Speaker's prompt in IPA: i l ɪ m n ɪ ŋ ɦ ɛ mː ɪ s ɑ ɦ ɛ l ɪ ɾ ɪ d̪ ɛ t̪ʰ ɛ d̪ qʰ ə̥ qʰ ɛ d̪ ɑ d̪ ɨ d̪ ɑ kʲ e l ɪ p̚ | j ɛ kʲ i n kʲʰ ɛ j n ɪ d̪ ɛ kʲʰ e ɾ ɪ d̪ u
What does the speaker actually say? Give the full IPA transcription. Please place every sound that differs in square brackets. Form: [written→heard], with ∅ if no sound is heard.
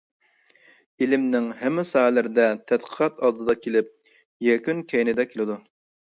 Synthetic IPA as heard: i l ɪ m n ɪ ŋ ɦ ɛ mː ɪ s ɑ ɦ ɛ l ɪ ɾ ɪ d̪ ɛ t̪ʰ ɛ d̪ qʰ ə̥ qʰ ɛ [d̪→t̪] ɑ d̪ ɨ d̪ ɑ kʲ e l ɪ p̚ | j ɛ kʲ [i→y] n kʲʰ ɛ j n ɪ d̪ ɛ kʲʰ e [ɾ→l] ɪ d̪ u

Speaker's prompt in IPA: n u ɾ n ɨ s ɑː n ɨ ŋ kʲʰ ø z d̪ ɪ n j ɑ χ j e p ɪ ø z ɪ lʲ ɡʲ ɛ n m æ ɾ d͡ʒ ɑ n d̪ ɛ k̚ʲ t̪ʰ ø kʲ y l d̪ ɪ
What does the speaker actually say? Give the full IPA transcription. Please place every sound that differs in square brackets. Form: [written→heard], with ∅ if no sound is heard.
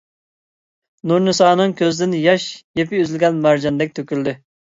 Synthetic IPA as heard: n u ɾ n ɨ s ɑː n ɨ ŋ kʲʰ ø z d̪ ɪ n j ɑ [χ→ʃ] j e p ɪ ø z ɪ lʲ ɡʲ ɛ n m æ ɾ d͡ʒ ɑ n d̪ ɛ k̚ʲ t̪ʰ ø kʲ y l d̪ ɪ

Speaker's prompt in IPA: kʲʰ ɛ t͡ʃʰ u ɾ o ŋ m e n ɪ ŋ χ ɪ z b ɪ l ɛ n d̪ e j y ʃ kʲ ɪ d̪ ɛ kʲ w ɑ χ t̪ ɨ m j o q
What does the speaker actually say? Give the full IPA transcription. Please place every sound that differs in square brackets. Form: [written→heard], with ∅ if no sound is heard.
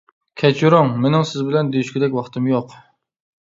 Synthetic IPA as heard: kʲʰ ɛ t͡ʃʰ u ɾ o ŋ m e n ɪ ŋ [χ→s] ɪ z b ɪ l ɛ n d̪ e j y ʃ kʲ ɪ d̪ ɛ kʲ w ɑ χ t̪ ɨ m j o q

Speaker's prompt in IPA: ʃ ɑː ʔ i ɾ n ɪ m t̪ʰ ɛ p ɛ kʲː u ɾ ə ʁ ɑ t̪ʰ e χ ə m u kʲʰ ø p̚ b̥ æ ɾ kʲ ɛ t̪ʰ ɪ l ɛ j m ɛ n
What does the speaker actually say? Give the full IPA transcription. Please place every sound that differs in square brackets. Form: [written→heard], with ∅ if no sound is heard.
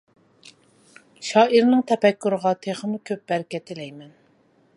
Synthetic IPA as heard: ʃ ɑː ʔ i ɾ n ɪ [m→ŋ] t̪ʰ ɛ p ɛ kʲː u ɾ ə ʁ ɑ t̪ʰ e χ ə m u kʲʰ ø p̚ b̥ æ ɾ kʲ ɛ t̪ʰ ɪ l ɛ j m ɛ n

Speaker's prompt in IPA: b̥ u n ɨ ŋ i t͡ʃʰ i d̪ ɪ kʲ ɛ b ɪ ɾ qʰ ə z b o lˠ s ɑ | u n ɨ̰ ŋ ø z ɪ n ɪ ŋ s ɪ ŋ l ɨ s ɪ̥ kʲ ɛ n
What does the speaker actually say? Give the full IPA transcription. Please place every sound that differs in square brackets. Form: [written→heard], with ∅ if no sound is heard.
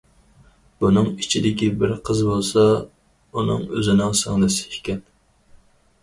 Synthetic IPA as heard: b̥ u n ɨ ŋ i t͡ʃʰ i d̪ ɪ kʲ [ɛ→i] b ɪ ɾ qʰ ə z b o lˠ s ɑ | u n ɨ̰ ŋ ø z ɪ n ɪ ŋ s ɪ ŋ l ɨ s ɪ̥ kʲ ɛ n

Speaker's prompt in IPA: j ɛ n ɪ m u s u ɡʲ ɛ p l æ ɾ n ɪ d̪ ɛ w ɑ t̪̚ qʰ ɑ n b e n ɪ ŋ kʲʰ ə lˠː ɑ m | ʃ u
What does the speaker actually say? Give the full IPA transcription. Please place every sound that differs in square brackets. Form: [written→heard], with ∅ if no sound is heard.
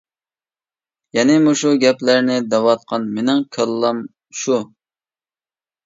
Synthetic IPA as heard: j ɛ n ɪ m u [s→ʃ] u ɡʲ ɛ p l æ ɾ n ɪ d̪ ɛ w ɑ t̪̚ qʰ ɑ n [b→m] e n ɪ ŋ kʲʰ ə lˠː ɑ m | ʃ u

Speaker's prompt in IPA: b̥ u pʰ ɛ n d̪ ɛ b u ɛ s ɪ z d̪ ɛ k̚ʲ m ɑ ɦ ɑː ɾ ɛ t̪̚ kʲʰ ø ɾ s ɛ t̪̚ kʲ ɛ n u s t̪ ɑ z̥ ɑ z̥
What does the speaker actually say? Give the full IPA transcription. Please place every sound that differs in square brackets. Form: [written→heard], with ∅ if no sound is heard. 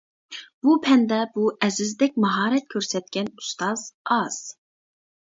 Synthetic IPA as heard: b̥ u pʰ ɛ n d̪ ɛ b u ɛ [s→z] ɪ z d̪ ɛ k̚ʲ m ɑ ɦ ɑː ɾ ɛ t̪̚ kʲʰ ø ɾ s ɛ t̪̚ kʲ ɛ n u s t̪ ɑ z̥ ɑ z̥

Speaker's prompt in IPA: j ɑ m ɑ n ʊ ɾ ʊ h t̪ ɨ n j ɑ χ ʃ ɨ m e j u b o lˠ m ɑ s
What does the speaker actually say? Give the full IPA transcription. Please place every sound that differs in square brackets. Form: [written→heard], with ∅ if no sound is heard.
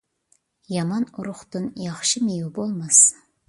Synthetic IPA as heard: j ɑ m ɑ n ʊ ɾ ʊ [h→χ] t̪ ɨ n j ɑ χ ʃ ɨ m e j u b o lˠ m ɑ s

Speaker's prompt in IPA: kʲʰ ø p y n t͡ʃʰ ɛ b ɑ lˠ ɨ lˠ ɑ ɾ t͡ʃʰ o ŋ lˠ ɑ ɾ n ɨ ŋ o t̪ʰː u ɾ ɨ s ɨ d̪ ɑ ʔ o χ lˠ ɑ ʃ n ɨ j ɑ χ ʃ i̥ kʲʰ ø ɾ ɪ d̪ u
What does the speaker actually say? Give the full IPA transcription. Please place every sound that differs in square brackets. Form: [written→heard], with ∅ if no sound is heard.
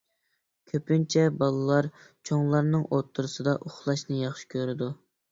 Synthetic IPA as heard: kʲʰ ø p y n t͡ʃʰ ɛ b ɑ lˠ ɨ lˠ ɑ ɾ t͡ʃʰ o ŋ lˠ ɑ ɾ n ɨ ŋ o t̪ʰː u ɾ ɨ s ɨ d̪ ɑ ʔ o χ lˠ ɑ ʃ n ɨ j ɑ χ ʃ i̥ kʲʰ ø ɾ ɪ d̪ u

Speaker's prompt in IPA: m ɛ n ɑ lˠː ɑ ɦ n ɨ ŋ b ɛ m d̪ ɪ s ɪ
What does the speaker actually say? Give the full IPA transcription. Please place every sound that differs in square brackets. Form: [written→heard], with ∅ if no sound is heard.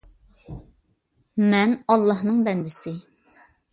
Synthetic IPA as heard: m ɛ n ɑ lˠː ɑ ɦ n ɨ ŋ b ɛ [m→n] d̪ ɪ s ɪ

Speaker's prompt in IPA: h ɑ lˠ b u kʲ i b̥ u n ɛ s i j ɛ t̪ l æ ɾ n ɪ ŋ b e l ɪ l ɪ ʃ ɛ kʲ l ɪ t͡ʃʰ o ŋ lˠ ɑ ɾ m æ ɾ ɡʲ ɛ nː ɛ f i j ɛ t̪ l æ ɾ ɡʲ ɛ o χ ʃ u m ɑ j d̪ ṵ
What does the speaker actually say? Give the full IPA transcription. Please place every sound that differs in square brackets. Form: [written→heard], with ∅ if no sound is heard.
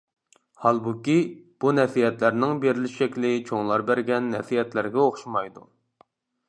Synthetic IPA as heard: h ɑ lˠ b u kʲ i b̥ u n ɛ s i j ɛ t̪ l æ ɾ n ɪ ŋ b e [l→ɾ] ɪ l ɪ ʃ ɛ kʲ l ɪ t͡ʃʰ o ŋ lˠ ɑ ɾ [m→b] æ ɾ ɡʲ ɛ nː ɛ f i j ɛ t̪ l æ ɾ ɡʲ ɛ o χ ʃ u m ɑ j d̪ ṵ

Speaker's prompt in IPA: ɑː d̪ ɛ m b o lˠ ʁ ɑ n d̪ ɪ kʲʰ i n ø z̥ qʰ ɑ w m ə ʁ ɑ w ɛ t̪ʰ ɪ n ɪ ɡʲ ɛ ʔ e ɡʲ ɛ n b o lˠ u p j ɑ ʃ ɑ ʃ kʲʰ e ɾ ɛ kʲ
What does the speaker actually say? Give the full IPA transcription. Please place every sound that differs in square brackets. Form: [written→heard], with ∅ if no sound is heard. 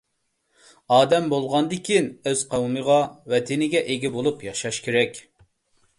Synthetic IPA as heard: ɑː d̪ ɛ m b o lˠ ʁ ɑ n d̪ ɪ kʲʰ i n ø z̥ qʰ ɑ w m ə ʁ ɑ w ɛ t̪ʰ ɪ n ɪ ɡʲ ɛ ʔ e ɡʲ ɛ [n→∅] b o lˠ u p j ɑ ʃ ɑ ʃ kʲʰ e ɾ ɛ kʲ

